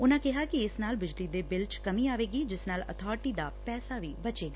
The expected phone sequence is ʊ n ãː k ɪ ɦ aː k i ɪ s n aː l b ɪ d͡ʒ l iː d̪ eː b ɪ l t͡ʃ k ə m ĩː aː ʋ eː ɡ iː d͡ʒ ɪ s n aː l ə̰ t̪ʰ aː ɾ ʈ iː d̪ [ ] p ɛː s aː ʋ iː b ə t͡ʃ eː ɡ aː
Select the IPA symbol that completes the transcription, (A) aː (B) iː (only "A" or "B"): A